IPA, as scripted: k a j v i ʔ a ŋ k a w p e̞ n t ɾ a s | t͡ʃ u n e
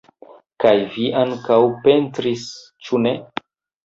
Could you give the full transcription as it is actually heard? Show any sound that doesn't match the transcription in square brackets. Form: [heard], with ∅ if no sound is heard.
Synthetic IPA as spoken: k a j v i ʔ a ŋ k a w p e̞ n t ɾ [i] s | t͡ʃ u n e